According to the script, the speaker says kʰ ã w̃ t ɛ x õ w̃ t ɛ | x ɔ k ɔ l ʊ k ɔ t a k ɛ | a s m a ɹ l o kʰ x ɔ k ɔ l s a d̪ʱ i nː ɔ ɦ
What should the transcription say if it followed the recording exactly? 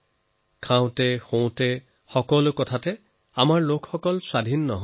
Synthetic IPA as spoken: kʰ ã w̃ t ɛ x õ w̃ t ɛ | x ɔ k ɔ l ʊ k ɔ tʰ a t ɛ | a m a ɹ l o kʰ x ɔ k ɔ l s a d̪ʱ i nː ɔ ɦ